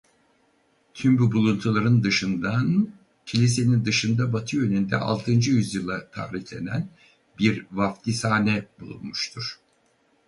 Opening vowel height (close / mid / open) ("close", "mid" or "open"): close